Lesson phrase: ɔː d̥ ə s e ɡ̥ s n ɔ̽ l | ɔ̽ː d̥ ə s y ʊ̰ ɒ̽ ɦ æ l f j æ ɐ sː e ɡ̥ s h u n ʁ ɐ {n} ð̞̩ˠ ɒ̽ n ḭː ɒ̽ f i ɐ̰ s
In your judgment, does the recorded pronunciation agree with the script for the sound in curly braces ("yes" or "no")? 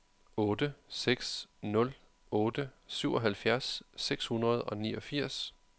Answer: no